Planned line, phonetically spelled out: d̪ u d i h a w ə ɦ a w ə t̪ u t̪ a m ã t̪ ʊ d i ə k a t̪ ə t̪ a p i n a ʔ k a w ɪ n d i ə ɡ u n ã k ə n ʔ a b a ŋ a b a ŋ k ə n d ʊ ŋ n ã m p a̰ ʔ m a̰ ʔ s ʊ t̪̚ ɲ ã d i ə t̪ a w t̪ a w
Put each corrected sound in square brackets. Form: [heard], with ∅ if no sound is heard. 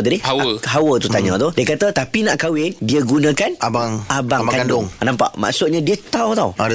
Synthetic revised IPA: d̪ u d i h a w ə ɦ a w ə t̪ u t̪ a [ɲ] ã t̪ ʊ d i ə k a t̪ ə t̪ a p i n a ʔ k a w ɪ n d i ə ɡ u n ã k [a] n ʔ a b a ŋ a b a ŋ k [a] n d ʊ ŋ n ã m p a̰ ʔ m a̰ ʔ s ʊ t̪̚ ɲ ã d i ə t̪ a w t̪ a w